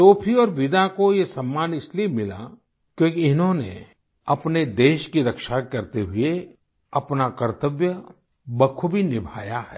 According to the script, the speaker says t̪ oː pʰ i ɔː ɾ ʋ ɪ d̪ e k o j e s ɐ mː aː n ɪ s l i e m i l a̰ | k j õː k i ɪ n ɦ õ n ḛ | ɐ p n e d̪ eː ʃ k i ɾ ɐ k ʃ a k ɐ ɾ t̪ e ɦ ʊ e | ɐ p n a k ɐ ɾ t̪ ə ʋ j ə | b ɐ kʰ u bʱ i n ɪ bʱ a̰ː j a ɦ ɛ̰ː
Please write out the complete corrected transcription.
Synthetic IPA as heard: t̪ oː pʰ i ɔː ɾ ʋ ɪ d̪ a k o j e s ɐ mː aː n ɪ s l i e m ɪ l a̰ | k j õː k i ɪ n ɦ õ n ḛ | ɐ p n e d̪ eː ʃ k i ɾ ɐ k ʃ a k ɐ ɾ t̪ e ɦ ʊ e | ɐ p n a k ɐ ɾ t̪ ə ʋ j ə | b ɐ kʰ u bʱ i n ɪ bʱ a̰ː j a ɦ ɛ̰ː